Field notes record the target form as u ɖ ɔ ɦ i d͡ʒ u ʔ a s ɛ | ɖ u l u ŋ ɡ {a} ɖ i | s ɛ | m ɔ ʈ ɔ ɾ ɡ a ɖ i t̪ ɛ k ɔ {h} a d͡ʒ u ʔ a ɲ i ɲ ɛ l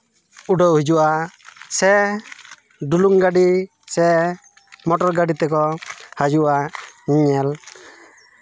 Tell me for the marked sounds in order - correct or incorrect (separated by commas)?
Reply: correct, correct